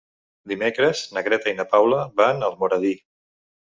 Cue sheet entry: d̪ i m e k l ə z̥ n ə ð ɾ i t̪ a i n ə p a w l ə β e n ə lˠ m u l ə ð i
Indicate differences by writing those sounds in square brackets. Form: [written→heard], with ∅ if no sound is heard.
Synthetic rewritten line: d̪ i m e k [l→ɾ] ə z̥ n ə [ð→ɣ] ɾ [i→ɛ] t̪ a i n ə p a w l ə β [e→a] n ə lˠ m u [l→ɾ] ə ð i